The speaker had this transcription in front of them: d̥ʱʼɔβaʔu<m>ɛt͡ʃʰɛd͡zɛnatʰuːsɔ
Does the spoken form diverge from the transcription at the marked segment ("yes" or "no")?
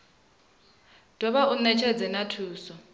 yes